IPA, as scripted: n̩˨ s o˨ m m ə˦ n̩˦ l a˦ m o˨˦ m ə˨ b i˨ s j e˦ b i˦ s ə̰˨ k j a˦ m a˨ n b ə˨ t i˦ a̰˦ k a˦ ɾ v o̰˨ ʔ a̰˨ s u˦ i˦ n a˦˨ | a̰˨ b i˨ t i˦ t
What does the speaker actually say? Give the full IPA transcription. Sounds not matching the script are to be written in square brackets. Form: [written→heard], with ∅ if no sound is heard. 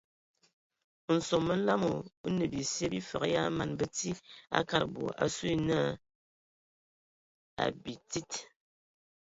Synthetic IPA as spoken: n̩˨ s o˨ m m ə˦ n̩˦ l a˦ m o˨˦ [m→n] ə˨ b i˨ s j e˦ b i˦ [s→f] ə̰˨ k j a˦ m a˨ n b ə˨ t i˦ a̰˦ k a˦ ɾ [v→b] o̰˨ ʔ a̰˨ s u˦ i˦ n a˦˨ | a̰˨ b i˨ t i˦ t